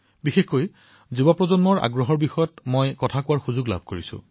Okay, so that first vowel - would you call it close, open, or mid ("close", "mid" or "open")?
close